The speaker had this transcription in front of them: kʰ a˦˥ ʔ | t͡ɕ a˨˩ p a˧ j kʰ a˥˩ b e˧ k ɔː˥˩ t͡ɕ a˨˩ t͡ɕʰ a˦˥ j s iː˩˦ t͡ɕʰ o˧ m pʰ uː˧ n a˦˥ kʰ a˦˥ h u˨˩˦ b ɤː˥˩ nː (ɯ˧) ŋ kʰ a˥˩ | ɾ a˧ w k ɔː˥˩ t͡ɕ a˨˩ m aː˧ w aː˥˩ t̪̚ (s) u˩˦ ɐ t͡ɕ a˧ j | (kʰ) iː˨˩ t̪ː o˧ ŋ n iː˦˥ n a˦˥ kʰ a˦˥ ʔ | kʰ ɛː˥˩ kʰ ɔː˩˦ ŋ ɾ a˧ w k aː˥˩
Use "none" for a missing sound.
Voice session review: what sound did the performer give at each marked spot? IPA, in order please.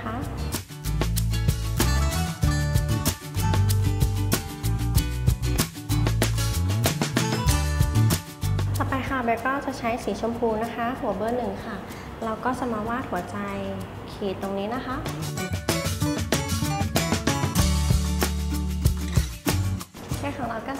ɯ˨˩, h, kʰ

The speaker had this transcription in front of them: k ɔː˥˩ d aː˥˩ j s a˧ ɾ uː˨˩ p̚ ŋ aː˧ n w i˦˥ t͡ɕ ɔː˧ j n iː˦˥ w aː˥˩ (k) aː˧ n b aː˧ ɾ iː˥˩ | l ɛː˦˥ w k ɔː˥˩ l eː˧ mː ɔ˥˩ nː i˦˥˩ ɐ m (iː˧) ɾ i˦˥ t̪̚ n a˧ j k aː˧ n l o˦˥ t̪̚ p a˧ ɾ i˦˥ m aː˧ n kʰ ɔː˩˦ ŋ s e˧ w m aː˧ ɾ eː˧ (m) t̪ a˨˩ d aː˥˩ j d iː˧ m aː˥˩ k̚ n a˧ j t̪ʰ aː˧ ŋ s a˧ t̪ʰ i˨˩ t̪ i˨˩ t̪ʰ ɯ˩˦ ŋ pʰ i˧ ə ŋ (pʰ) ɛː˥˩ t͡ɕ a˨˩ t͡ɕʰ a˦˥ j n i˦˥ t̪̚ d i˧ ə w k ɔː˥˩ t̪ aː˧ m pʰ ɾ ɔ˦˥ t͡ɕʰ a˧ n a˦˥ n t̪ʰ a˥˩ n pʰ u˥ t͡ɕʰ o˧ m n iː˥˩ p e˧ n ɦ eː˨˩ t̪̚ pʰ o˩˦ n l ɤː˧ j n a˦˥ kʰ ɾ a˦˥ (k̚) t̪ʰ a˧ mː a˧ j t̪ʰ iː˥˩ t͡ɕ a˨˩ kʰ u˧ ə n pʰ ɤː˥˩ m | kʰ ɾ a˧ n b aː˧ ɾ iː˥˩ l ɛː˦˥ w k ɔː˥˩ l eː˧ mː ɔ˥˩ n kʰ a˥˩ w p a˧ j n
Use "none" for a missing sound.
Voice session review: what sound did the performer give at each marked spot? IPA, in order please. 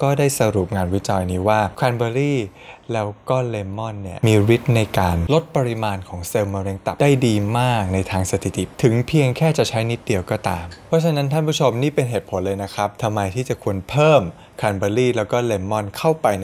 kʰ, iː˧, ŋ, kʰ, p̚

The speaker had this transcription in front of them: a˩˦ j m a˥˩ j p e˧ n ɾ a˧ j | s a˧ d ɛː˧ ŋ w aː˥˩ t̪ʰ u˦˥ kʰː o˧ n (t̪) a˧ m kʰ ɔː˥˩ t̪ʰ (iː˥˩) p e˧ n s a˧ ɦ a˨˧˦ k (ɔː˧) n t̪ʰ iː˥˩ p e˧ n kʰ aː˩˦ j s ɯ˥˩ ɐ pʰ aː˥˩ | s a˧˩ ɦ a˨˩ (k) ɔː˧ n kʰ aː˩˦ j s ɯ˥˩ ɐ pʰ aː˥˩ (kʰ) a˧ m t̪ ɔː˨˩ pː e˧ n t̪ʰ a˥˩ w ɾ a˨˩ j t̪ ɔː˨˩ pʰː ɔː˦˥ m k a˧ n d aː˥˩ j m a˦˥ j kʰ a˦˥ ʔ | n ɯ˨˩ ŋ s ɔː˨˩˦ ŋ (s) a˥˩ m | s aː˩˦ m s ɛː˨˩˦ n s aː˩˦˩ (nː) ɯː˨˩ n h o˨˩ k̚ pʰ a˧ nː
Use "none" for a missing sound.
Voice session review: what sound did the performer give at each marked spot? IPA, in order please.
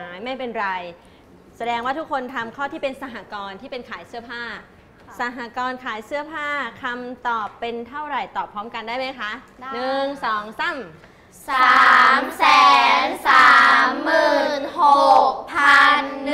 t̪ʰ, iː˥˩, ɔː˧, k, kʰ, s, mː

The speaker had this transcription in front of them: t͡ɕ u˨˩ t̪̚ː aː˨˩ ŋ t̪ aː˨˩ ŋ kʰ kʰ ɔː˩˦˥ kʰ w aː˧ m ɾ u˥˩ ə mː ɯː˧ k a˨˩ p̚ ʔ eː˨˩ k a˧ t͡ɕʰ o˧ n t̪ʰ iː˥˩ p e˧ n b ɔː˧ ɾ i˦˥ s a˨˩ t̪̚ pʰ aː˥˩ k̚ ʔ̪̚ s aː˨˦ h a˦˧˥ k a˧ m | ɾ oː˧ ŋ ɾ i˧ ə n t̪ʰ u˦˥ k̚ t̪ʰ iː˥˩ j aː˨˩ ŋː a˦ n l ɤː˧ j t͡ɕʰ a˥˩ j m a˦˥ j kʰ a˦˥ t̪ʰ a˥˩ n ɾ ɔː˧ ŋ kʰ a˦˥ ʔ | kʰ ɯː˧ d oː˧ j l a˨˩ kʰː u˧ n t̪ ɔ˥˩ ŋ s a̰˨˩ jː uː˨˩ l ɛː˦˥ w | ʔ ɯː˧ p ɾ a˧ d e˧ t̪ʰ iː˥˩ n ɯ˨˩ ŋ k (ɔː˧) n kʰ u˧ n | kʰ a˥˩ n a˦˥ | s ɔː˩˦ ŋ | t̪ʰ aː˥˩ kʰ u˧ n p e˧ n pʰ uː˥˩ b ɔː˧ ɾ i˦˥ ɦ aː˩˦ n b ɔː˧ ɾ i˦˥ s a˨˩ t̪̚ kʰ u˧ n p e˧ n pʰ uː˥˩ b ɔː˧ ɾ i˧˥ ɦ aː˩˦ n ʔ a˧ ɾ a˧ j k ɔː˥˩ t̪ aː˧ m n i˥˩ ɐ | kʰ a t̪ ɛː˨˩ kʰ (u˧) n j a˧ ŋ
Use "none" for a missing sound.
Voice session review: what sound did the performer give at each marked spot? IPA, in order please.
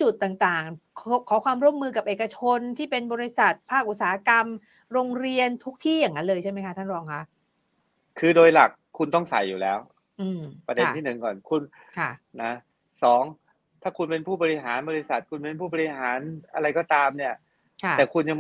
ɔː˨˩, u˧

